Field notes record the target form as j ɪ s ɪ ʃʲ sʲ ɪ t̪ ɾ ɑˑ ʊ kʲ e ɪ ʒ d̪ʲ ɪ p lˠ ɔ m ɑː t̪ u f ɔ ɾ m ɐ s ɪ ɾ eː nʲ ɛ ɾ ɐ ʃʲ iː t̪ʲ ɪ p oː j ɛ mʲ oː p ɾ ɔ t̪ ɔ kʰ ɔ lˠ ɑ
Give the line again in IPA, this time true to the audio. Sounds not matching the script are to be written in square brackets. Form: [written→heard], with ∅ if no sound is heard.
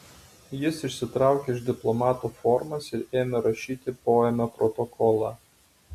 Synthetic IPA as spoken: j ɪ s ɪ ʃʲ sʲ ɪ t̪ ɾ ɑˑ ʊ kʲ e ɪ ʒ d̪ʲ ɪ p lˠ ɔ m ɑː t̪ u f ɔ ɾ m ɐ s ɪ ɾ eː [nʲ→mʲ] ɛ ɾ ɐ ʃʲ iː t̪ʲ ɪ p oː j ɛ mʲ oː p ɾ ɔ t̪ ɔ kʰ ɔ lˠ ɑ